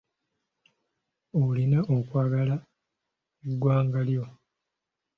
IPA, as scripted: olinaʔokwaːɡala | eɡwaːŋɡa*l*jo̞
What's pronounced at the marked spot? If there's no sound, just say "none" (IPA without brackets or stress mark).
l